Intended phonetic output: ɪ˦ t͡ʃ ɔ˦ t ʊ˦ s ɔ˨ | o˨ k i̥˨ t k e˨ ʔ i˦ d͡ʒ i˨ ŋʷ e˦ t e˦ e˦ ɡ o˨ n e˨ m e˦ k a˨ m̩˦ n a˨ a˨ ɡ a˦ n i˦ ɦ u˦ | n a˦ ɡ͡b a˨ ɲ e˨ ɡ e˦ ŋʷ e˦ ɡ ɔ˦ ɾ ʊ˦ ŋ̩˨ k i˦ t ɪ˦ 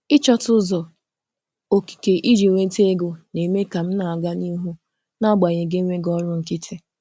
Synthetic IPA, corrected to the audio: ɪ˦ t͡ʃ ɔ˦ t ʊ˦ z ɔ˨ | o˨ k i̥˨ k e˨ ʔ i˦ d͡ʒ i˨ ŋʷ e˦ t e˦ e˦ ɡ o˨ n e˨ m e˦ k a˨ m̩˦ n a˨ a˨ ɡ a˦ n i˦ ɦ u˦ | n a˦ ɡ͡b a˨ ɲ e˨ ɡ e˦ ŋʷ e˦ ɡ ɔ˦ ɾ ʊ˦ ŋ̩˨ k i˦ t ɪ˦